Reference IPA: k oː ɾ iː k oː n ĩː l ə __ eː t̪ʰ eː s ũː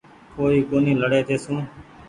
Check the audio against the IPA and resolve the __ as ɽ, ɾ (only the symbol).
ɽ